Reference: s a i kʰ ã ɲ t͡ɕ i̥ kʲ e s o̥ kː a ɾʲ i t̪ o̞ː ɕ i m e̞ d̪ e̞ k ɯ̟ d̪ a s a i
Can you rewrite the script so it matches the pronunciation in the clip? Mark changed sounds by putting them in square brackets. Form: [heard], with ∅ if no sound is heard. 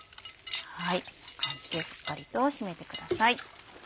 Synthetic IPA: [h] a i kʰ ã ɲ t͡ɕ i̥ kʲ e s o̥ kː a ɾʲ i t̪ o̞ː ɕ i m e̞ [t̪] e̞ k ɯ̟ d̪ a s a i